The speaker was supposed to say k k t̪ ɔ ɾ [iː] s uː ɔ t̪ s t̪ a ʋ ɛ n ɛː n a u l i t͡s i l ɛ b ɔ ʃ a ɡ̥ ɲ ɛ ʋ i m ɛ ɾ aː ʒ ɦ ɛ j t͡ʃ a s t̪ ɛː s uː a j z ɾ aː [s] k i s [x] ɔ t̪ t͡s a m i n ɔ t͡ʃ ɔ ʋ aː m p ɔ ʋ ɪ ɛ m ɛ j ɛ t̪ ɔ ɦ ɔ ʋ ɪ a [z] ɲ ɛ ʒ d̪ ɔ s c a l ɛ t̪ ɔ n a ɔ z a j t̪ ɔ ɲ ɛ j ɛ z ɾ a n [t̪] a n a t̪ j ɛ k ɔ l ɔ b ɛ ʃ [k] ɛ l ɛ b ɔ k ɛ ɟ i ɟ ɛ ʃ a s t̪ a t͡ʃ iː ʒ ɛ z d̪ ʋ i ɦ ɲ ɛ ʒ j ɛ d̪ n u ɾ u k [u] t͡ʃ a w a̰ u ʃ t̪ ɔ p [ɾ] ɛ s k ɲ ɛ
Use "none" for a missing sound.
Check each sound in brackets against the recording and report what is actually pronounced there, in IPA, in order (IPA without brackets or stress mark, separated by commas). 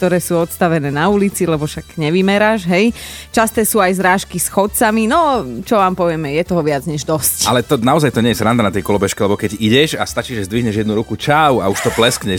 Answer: ɛː, ʃ, x, d͡z, d̪, k, u, l